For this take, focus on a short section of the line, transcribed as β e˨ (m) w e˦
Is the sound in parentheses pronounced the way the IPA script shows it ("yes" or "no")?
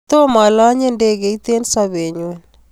no